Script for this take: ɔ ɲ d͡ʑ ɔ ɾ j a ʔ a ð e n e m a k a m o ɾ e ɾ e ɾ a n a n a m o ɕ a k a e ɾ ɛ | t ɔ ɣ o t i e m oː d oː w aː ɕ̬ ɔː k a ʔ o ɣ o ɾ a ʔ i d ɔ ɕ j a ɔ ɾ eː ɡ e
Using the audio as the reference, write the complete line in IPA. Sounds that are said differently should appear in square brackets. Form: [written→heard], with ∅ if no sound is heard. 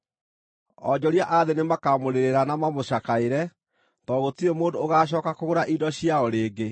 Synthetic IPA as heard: ɔ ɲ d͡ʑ ɔ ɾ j a ʔ a ð e n e m a k a m o ɾ e ɾ e ɾ a n a [n→m] a m o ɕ a k a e ɾ ɛ | t ɔ ɣ o t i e m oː d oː [w→ɣ] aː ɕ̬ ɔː k a [ʔ→k] o ɣ o ɾ a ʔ i d ɔ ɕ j a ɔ ɾ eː ɡ e